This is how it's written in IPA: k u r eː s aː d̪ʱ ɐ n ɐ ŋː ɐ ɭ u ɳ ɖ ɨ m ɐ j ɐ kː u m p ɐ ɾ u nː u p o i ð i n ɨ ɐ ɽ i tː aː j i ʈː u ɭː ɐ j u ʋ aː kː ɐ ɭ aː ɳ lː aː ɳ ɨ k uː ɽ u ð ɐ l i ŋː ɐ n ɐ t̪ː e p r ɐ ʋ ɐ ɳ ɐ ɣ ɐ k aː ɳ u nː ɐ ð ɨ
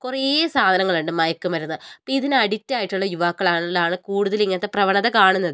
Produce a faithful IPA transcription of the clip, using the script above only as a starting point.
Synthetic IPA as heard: k u r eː s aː d̪ʱ ɐ n ɐ ŋː ɐ ɭ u ɳ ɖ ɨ m ɐ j ɐ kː u m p ɐ ɾ u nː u p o i ð i n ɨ ɐ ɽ i tː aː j i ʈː u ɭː ɐ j u ʋ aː kː ɐ ɭ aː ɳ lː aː ɳ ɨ k uː ɽ u ð ɐ l i ŋː ɐ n ɐ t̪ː e p r ɐ ʋ ɐ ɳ ɐ ð ɐ k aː ɳ u nː ɐ ð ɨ